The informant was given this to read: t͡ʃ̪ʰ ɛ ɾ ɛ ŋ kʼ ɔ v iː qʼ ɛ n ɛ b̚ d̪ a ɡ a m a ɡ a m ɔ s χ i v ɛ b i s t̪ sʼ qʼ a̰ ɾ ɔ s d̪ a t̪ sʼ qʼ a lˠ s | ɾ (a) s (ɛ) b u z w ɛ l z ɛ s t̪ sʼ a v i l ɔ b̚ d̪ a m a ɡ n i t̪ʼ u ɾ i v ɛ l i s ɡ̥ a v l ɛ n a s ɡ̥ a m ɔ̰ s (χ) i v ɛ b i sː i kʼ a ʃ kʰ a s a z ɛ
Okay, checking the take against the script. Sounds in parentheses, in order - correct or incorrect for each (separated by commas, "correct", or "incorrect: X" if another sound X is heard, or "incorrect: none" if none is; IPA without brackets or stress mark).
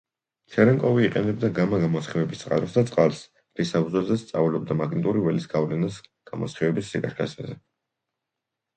incorrect: i, incorrect: a, correct